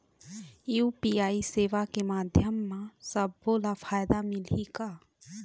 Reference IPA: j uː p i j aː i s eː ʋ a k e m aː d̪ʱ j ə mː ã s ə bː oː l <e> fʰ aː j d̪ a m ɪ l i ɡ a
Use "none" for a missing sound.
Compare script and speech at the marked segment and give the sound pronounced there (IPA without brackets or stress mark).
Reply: a